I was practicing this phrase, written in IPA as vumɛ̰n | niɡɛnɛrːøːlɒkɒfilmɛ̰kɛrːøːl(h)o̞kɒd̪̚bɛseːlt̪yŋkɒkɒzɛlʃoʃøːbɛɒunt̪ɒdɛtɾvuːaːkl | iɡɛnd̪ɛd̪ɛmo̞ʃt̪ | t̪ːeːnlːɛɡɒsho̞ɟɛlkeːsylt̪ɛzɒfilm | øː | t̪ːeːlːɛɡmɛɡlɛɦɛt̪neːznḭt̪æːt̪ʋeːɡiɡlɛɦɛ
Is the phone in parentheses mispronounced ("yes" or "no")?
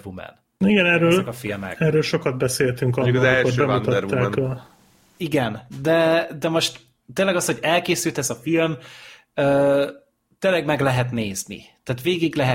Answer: yes